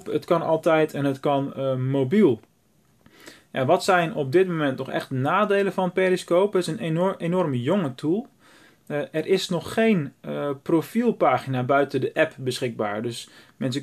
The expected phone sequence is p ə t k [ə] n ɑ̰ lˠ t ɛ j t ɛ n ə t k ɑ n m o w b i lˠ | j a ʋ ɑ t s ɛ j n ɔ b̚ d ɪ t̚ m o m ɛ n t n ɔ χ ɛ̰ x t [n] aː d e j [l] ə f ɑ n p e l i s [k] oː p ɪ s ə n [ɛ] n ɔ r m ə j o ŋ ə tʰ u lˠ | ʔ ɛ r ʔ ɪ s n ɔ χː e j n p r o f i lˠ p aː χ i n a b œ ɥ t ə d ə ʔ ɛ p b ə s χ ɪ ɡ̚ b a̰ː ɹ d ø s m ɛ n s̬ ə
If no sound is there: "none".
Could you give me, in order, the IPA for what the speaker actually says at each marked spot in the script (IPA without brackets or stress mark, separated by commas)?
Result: ɑ, n, l, k, e